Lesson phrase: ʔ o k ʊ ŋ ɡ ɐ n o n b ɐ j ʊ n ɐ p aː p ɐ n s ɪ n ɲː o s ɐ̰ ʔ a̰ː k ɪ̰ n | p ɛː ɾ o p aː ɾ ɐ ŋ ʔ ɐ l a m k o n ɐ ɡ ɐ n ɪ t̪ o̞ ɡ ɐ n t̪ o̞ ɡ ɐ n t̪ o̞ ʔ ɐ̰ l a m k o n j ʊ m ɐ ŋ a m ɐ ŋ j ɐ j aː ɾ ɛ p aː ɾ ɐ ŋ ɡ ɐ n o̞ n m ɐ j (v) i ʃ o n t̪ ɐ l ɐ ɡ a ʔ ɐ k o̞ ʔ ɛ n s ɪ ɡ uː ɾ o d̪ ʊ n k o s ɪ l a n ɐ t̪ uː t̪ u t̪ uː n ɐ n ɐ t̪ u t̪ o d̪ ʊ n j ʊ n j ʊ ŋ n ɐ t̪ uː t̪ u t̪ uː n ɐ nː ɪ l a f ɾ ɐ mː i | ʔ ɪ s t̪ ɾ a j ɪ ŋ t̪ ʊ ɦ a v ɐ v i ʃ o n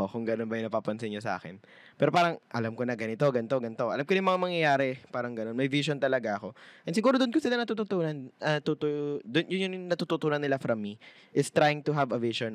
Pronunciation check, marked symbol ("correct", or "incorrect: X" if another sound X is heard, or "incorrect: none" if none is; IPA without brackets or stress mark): correct